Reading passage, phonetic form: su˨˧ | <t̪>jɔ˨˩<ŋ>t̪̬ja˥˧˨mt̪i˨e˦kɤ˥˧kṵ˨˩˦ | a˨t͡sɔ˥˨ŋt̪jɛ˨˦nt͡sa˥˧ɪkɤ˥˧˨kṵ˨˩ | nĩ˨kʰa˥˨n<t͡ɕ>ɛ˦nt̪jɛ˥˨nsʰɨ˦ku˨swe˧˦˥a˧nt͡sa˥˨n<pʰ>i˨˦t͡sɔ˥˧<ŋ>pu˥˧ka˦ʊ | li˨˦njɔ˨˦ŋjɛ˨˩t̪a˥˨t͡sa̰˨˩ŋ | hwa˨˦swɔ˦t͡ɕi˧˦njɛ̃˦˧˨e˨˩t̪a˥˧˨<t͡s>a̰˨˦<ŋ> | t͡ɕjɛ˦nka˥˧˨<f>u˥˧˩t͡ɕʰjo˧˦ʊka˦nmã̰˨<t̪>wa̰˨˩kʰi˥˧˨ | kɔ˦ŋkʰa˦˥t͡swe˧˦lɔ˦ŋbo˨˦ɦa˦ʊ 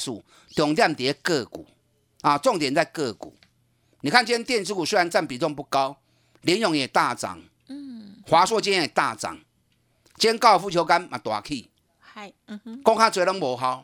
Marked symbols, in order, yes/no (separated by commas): yes, yes, yes, no, yes, yes, yes, yes, yes